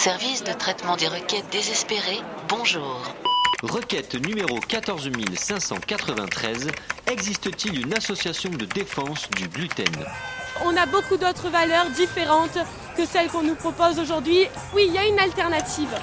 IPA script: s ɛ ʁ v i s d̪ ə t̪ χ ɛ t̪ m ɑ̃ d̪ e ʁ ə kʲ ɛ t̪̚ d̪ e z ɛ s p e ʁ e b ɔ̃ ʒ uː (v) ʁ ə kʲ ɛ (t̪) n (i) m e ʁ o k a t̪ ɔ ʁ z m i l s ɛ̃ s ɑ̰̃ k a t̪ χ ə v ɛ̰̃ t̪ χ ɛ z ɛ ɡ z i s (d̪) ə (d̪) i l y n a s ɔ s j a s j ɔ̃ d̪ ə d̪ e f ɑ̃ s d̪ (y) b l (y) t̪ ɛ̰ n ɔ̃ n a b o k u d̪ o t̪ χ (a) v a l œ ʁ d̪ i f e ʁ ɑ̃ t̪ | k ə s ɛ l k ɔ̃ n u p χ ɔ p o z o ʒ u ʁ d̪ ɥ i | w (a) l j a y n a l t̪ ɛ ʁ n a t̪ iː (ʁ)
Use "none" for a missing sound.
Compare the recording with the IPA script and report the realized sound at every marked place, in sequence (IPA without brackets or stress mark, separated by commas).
ʁ, t̪, y, t̪, t̪, y, y, ə, i, v